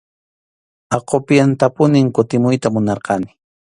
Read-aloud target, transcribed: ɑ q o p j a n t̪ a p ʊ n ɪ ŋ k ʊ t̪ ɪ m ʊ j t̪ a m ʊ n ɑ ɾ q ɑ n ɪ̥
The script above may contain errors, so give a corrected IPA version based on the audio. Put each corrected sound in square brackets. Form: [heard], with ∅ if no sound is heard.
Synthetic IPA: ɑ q o p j a n t̪ a p ʊ n ɪ ŋ k ʊ t̪ ɪ m ʊ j t̪ a m ʊ n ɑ ɾ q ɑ n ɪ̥